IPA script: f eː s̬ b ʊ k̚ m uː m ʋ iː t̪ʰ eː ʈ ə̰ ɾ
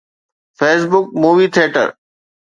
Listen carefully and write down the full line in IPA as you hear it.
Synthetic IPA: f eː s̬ b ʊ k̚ m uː ʋ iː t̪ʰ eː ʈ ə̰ ɾ